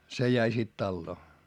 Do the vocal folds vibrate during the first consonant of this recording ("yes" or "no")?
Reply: no